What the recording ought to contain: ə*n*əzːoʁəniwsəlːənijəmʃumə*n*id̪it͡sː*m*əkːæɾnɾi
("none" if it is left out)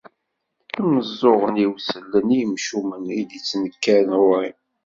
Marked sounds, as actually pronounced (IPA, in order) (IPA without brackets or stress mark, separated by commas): m, n, n